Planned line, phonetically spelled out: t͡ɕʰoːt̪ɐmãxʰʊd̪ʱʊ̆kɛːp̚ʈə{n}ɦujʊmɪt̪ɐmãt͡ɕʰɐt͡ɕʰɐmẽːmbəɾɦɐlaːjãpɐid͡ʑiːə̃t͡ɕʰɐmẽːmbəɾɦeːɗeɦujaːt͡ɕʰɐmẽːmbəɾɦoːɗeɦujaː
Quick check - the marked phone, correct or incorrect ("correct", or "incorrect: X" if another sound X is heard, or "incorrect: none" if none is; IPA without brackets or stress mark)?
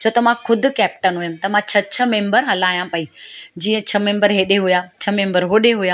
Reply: correct